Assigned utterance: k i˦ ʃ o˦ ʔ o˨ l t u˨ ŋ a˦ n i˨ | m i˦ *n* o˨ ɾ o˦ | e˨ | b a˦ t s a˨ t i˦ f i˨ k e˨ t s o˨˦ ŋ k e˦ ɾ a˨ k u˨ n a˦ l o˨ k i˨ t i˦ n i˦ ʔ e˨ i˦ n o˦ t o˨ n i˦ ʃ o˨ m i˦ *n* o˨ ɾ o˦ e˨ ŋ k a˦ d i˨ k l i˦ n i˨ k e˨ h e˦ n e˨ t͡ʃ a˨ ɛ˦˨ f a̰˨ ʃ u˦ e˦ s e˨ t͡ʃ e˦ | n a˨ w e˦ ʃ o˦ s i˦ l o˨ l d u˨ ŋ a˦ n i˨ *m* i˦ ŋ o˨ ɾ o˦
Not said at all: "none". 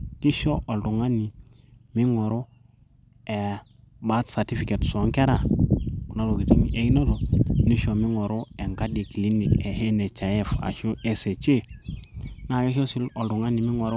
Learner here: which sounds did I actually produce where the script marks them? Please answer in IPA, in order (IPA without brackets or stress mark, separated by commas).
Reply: ŋ, ŋ, m